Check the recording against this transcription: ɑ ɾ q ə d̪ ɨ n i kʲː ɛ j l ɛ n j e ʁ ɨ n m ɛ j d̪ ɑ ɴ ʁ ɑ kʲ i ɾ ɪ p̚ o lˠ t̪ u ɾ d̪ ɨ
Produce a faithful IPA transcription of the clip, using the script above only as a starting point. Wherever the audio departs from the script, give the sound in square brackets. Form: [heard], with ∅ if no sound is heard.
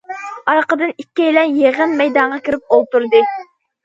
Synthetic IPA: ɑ ɾ q ə d̪ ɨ n i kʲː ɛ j l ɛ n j e ʁ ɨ n m ɛ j d̪ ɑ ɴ ʁ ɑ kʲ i ɾ ɪ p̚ o lˠ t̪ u ɾ d̪ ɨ